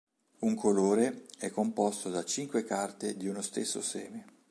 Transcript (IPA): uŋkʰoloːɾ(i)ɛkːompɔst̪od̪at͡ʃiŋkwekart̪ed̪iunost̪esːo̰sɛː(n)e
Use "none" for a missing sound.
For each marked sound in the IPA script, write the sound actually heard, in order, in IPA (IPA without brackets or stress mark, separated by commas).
e, m